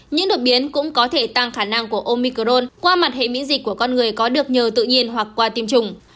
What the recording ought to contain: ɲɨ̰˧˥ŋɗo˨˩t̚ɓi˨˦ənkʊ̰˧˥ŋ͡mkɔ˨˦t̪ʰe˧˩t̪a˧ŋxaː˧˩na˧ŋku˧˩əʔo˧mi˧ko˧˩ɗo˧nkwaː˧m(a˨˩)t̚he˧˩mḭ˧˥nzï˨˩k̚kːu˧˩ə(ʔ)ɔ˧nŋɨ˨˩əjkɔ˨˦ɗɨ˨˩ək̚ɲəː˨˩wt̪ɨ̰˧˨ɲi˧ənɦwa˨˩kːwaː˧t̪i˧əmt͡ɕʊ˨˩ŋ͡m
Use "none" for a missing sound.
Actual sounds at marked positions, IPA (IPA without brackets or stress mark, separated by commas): a˨˩, k